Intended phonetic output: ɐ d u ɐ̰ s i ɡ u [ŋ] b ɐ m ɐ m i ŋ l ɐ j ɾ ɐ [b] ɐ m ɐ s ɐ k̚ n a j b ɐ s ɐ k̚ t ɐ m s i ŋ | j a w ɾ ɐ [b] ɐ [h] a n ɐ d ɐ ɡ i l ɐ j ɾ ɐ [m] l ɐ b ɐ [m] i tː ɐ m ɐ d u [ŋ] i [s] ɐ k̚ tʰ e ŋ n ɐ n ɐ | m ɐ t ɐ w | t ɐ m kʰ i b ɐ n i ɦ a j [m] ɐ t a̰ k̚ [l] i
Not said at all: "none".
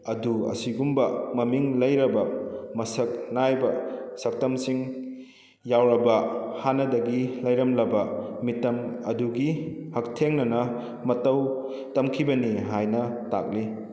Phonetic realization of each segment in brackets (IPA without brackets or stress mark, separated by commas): m, b, b, h, m, m, ɡ, h, n, l